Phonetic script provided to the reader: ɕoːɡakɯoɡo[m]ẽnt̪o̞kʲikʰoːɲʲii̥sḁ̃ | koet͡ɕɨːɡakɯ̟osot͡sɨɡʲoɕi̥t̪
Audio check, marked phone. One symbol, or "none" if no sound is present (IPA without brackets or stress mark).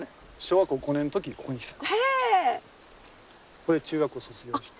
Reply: n